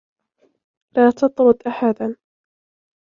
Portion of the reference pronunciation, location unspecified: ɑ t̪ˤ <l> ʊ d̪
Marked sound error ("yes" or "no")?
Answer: yes